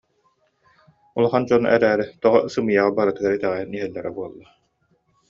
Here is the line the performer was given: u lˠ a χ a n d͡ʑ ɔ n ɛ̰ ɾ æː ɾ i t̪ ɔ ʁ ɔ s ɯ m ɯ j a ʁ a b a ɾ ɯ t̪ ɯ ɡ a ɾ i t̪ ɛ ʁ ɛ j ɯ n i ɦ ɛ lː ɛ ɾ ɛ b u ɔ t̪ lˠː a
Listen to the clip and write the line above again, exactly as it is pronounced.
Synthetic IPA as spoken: u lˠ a χ a n d͡ʑ ɔ n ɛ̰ ɾ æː ɾ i t̪ ɔ ʁ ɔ s ɯ m ɯ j a ʁ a b a ɾ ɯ t̪ ɯ ɡ a ɾ i t̪ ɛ ʁ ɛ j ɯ n i ɦ ɛ lː ɛ ɾ ɛ b u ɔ lˠː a